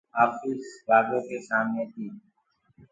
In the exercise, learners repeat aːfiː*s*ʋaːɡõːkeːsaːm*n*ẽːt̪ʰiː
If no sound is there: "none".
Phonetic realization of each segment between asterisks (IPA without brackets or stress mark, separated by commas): s, n